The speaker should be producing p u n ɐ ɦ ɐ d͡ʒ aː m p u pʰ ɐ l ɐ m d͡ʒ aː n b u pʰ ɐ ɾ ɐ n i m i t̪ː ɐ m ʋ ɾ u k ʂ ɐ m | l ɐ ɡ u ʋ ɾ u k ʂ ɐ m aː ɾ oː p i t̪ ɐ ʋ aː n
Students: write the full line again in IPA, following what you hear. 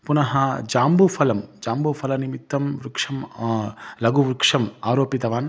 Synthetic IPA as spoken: p u n ɐ ɦ ɐ d͡ʒ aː m b u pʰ ɐ l ɐ m d͡ʒ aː m b u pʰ ɐ l ɐ n i m i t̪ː ɐ m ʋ ɾ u k ʂ ɐ m | l ɐ ɡ u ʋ ɾ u k ʂ ɐ m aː ɾ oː p i t̪ ɐ ʋ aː n